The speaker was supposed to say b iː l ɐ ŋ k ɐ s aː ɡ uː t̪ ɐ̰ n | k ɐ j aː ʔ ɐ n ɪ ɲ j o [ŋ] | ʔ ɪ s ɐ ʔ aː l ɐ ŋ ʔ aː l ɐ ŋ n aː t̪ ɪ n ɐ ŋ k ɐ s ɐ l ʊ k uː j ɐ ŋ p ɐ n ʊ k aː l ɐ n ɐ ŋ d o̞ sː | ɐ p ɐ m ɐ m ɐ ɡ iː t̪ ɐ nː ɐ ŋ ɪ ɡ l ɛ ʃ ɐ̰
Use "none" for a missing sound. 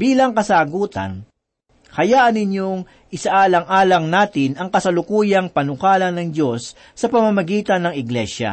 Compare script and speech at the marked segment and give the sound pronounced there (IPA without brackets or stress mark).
ŋ